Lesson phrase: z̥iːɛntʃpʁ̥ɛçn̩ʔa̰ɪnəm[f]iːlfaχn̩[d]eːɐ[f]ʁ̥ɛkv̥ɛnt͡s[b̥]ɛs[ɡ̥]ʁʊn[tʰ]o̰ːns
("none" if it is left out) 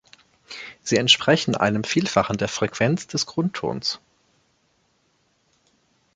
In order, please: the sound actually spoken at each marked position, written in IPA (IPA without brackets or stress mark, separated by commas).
f, d, f, d̥, ɡ̥, tʰ